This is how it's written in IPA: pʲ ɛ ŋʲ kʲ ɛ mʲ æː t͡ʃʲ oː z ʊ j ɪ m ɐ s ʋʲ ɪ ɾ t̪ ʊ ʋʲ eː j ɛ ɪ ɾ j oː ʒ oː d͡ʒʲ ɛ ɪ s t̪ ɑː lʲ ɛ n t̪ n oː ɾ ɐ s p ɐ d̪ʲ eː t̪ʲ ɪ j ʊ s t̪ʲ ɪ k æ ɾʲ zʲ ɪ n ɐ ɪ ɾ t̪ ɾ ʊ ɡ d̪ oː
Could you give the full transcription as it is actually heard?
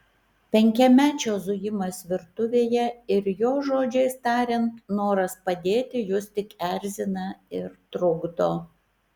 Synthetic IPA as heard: pʲ ɛ ŋʲ kʲ ɛ mʲ æː t͡ʃʲ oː z ʊ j ɪ m ɐ s ʋʲ ɪ ɾ t̪ ʊ ʋʲ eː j ɛ ɪ ɾ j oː ʒ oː d͡ʒʲ ɛ ɪ s t̪ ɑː ɾʲ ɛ n t̪ n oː ɾ ɐ s p ɐ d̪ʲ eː t̪ʲ ɪ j ʊ s t̪ʲ ɪ k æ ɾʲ zʲ ɪ n ɐ ɪ ɾ t̪ ɾ ʊ ɡ d̪ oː